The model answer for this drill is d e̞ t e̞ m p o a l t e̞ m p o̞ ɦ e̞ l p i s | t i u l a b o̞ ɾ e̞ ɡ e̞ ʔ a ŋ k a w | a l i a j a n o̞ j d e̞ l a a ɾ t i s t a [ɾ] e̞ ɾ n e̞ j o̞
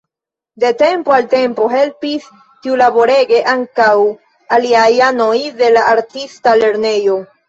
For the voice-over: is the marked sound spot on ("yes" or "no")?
no